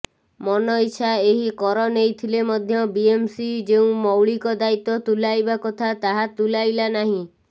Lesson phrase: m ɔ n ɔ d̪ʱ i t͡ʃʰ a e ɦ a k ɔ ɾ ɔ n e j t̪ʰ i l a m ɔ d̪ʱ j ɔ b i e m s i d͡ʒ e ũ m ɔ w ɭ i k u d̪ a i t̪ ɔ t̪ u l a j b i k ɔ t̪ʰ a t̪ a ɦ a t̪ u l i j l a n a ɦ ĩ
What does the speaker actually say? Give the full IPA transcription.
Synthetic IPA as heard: m ɔ n ɔ i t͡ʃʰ a e ɦ i k ɔ ɾ ɔ n e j t̪ʰ i l e m ɔ d̪ʱ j ɔ b i e m s i d͡ʒ e ũ m ɔ w ɭ i k ɔ d̪ a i t̪ ɔ t̪ u l a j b a k ɔ t̪ʰ a t̪ a ɦ a t̪ u l a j l a n a ɦ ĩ